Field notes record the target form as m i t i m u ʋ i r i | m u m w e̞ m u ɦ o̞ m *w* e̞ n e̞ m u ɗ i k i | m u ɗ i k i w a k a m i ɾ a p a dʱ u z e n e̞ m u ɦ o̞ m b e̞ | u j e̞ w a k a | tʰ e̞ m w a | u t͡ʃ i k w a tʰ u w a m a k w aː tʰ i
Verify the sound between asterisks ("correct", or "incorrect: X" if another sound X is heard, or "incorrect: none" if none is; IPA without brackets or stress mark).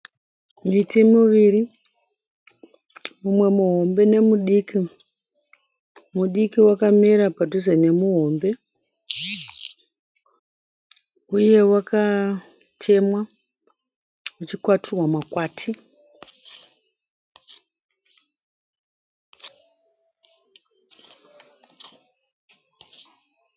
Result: incorrect: b